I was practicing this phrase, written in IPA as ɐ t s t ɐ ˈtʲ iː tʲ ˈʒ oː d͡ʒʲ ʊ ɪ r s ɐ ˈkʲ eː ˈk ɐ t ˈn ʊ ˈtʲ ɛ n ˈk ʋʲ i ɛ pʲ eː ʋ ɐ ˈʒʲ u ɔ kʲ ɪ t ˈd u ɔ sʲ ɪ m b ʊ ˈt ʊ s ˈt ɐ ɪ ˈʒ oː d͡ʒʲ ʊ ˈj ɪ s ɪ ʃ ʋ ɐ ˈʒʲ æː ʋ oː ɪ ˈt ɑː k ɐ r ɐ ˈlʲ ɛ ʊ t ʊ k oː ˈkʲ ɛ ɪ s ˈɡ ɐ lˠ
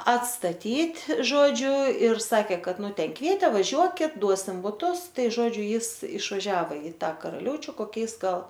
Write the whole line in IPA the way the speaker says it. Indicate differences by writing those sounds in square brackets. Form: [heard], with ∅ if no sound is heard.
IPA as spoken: ɐ t s t ɐ ˈtʲ iː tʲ ˈʒ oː d͡ʒʲ ʊ ɪ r s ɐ ˈkʲ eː ˈk ɐ t ˈn ʊ ˈtʲ ɛ n ˈk ʋʲ i ɛ [tʲ] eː ʋ ɐ ˈʒʲ u ɔ kʲ ɪ t ˈd u ɔ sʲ ɪ m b ʊ ˈt ʊ s ˈt ɐ ɪ ˈʒ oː d͡ʒʲ ʊ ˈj ɪ s ɪ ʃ ʋ ɐ ˈʒʲ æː ʋ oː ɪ ˈt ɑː k ɐ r ɐ ˈlʲ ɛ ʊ [t͡ʃʲ] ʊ k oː ˈkʲ ɛ ɪ s ˈɡ ɐ lˠ